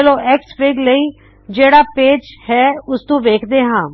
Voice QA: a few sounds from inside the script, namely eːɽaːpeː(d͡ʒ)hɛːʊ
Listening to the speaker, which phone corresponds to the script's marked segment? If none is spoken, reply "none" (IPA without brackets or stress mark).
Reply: d͡ʒ